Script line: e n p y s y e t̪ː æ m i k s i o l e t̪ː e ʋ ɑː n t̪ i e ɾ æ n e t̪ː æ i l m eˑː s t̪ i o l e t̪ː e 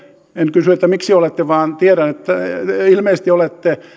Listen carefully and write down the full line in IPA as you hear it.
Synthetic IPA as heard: e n k y s y e t̪ː æ m i k s i o l e t̪ː e ʋ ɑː n t̪ i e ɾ æ n e t̪ː æ i l m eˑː s t̪ i o l e t̪ː e